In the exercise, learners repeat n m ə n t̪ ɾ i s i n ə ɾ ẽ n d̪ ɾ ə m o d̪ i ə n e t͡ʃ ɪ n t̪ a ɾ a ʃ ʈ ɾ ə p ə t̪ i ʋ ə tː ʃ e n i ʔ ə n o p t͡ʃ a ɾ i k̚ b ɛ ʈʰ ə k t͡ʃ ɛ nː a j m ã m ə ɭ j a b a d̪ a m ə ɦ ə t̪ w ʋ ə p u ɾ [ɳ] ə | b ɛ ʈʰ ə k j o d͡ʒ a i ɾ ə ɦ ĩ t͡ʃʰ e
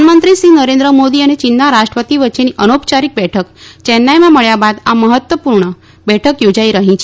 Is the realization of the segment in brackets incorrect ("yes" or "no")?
no